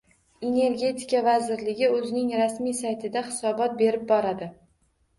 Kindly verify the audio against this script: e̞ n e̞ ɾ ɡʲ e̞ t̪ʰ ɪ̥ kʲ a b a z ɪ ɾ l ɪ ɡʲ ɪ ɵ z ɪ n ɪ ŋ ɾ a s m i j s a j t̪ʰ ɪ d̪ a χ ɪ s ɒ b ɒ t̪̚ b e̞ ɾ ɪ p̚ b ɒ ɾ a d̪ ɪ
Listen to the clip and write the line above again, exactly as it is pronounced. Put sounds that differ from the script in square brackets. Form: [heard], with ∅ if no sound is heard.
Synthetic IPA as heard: e̞ n e̞ ɾ ɡʲ e̞ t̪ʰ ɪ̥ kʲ a [v] a z ɪ ɾ l ɪ ɡʲ ɪ ɵ z ɪ n ɪ ŋ ɾ a s m i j s a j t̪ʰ ɪ d̪ a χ ɪ s ɒ b ɒ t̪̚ b e̞ ɾ ɪ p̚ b ɒ ɾ a d̪ ɪ

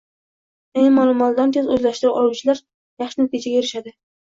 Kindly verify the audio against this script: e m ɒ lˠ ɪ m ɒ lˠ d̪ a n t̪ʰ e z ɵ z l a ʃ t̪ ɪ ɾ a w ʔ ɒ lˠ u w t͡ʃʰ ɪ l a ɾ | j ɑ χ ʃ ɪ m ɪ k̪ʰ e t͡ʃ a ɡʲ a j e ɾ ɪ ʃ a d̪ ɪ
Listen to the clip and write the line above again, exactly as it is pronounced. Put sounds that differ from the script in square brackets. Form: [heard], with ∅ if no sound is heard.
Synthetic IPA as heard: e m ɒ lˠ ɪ m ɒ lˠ d̪ a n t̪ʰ e z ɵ z l a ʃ t̪ ɪ ɾ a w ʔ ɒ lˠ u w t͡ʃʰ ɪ l a ɾ | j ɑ χ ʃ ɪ [n] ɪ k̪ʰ e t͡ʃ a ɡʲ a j e ɾ ɪ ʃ a d̪ ɪ

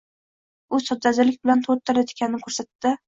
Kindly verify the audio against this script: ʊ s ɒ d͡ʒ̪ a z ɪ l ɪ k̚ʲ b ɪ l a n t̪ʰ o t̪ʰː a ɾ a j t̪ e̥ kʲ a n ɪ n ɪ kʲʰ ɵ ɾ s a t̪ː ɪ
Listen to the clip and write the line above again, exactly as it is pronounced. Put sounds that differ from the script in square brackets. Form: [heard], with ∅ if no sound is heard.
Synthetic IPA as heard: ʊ s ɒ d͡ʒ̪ a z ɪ l ɪ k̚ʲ b ɪ l a n t̪ʰ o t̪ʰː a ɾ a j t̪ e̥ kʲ a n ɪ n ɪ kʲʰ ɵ ɾ s a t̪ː ɪ

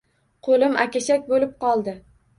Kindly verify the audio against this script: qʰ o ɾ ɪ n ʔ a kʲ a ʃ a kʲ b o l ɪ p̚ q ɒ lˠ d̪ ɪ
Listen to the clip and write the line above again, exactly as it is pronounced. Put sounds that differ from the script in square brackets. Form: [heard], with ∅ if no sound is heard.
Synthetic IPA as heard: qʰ o [l] ɪ [m] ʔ a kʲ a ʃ a kʲ b o l ɪ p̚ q ɒ lˠ d̪ ɪ

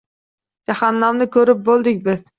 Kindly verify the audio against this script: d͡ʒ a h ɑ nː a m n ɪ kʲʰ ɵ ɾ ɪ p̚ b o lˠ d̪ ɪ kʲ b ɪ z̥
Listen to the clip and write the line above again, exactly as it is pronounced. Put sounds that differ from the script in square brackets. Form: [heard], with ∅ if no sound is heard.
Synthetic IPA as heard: d͡ʒ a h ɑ nː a m n ɪ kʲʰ ɵ ɾ ɪ p̚ b o lˠ d̪ ɪ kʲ b ɪ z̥

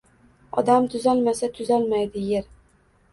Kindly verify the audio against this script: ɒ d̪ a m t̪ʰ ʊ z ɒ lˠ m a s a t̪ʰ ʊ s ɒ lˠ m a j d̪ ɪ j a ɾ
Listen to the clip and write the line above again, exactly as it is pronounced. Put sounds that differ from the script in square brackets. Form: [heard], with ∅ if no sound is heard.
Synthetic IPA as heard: ɒ d̪ a m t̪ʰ ʊ z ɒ lˠ m a s a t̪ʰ ʊ [z] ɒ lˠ m a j d̪ ɪ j [e] ɾ

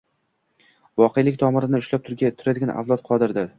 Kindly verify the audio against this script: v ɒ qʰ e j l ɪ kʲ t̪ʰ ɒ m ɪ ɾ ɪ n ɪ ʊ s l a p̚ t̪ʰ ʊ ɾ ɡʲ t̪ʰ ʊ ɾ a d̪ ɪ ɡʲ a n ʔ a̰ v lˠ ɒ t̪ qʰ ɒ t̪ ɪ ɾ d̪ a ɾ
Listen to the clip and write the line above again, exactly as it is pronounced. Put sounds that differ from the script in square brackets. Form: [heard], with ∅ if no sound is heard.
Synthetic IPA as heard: v ɒ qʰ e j l ɪ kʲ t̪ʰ ɒ m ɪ ɾ ɪ n ɪ ʊ [ʃ] l a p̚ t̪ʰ ʊ ɾ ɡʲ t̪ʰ ʊ ɾ a d̪ ɪ ɡʲ a n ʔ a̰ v lˠ ɒ t̪ qʰ ɒ [d̪] ɪ ɾ d̪ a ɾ

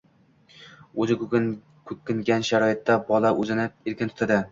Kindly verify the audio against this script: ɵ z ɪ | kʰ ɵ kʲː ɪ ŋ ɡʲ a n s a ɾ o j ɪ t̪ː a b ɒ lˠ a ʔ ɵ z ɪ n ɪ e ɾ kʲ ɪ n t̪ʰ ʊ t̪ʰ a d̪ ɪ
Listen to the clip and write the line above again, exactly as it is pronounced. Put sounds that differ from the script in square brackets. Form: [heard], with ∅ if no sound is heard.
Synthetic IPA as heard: ɵ z ɪ | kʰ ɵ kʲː ɪ ŋ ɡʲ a n [ʃ] a ɾ [ɒ] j ɪ t̪ː a b ɒ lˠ a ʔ ɵ z ɪ n ɪ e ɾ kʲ ɪ n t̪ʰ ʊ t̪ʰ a d̪ ɪ

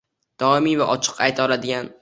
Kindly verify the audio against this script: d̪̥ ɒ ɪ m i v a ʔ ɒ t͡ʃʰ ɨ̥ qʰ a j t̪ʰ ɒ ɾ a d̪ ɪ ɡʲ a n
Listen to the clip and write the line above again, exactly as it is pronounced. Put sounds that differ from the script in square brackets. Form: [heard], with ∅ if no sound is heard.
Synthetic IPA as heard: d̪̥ ɒ ɪ m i v a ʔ ɒ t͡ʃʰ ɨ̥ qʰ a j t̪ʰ ɒ [l] a d̪ ɪ ɡʲ a n

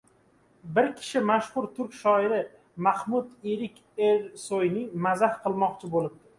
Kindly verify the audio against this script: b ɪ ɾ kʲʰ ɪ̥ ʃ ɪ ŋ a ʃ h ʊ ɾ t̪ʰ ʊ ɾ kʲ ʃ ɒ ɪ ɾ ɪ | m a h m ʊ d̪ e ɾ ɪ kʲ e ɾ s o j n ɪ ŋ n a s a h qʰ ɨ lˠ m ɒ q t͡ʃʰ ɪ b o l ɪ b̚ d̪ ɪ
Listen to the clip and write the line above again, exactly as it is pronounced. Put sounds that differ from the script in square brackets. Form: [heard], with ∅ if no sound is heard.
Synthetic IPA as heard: b ɪ ɾ kʲʰ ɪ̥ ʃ ɪ [m] a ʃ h ʊ ɾ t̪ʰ ʊ ɾ kʲ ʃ ɒ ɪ ɾ ɪ | m a h m ʊ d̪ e ɾ ɪ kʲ e ɾ s o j n ɪ ŋ [m] a [z] a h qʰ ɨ lˠ m ɒ q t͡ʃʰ ɪ b o l ɪ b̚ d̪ ɪ

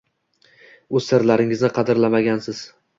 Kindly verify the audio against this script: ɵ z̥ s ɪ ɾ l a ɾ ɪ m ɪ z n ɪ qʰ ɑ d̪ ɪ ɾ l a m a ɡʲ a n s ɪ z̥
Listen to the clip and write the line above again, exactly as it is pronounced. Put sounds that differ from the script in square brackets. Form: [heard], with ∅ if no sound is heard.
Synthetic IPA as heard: ɵ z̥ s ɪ ɾ l a ɾ ɪ [ŋ] ɪ z n ɪ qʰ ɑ d̪ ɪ ɾ l a m a ɡʲ a n s ɪ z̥

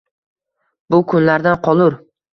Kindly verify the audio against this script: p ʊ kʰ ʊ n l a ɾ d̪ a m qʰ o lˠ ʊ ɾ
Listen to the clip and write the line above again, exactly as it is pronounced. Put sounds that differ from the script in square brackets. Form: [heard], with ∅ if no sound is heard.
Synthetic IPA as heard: [b] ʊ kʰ ʊ n l a ɾ d̪ a [n] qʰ [ɒ] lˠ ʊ ɾ

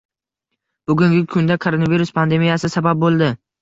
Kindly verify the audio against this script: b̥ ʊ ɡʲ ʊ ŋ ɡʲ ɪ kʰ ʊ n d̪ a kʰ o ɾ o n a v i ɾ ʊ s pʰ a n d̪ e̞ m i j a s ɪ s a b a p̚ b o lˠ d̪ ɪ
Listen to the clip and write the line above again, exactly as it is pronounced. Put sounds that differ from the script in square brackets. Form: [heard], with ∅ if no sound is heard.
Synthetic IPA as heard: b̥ ʊ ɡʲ ʊ ŋ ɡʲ ɪ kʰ ʊ n d̪ a kʰ o ɾ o n a v i ɾ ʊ s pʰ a n d̪ e̞ m i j a s ɪ s a b a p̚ b o lˠ d̪ ɪ

